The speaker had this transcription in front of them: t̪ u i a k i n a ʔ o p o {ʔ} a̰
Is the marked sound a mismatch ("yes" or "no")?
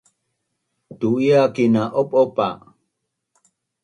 yes